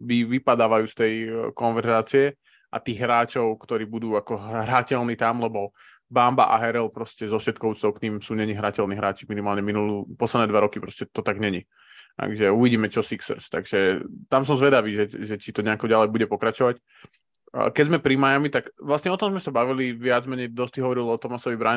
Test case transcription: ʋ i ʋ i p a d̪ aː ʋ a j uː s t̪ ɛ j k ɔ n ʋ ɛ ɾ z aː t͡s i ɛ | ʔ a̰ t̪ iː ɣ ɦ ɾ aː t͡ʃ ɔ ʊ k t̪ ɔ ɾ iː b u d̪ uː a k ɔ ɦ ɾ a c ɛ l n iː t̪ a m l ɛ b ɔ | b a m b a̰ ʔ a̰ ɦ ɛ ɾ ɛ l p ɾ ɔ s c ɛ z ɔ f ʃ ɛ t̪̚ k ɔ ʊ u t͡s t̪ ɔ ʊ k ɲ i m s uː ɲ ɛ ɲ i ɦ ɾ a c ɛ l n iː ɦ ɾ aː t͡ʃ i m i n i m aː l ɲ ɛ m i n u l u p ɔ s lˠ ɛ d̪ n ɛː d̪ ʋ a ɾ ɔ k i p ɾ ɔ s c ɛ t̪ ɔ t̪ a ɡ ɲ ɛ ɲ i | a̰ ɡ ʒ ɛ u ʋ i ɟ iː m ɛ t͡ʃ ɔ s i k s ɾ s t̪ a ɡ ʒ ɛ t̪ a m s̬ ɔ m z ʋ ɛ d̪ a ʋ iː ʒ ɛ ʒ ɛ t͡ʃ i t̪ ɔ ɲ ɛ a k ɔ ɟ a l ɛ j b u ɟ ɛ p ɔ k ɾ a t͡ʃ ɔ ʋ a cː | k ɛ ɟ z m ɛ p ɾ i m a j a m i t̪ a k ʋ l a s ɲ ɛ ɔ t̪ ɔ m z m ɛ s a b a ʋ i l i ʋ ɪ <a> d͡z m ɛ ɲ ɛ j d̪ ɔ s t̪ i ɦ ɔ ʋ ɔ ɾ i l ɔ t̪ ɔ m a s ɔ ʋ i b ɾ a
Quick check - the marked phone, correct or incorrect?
correct